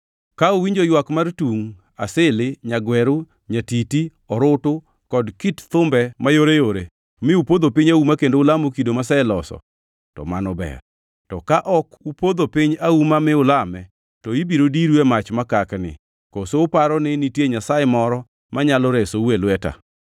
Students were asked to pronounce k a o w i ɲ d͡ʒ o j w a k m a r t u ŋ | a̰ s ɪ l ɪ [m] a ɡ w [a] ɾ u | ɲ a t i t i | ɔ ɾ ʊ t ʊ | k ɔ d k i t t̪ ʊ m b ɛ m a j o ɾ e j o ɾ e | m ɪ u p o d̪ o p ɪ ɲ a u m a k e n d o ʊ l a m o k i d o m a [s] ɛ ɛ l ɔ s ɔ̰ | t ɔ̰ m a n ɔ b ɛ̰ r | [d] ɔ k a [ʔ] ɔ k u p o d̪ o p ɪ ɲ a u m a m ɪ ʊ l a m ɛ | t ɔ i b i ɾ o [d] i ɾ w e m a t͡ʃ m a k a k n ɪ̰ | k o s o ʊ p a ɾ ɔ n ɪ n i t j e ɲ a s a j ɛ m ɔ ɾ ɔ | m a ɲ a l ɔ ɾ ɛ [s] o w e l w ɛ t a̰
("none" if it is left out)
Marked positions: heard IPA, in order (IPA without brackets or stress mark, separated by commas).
ɲ, ɛ, s, t, ʔ, d, s